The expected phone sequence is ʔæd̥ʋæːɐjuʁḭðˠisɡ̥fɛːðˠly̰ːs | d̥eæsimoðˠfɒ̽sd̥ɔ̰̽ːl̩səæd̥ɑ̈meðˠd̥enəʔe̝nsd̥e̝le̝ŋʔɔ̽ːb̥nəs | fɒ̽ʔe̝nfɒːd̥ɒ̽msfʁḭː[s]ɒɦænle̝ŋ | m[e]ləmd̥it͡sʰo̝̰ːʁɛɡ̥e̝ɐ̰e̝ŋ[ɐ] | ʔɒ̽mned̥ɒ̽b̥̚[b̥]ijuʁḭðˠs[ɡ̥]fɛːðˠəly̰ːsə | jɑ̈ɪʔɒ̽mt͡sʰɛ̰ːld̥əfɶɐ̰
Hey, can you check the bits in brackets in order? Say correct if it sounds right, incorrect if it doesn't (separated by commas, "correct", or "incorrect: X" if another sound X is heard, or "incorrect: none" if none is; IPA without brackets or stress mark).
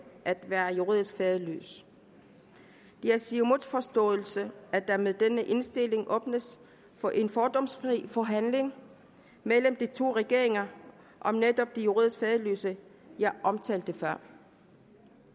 incorrect: f, correct, correct, incorrect: d̥, correct